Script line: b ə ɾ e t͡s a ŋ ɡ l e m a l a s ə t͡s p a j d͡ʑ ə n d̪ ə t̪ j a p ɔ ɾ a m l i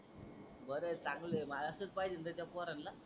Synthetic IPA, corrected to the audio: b ə ɾ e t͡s a ŋ ɡ l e m a l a s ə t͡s p a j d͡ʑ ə n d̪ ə t̪ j a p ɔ ɾ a n l a